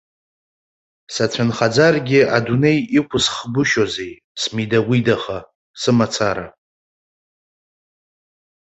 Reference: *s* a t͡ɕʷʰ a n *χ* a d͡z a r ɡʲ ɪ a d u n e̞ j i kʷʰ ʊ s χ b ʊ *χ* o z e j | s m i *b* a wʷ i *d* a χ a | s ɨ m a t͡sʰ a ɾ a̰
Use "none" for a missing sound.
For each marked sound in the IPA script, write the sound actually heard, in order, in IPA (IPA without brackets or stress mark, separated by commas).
s, χ, ʃ, d, d